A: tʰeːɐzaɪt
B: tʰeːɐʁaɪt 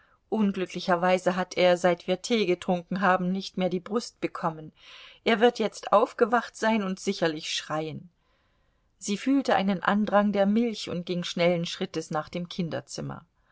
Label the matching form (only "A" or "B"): A